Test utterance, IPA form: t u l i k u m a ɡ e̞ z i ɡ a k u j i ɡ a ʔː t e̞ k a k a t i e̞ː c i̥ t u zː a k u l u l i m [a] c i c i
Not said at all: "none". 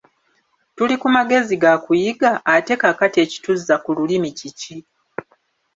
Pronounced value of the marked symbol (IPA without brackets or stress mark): i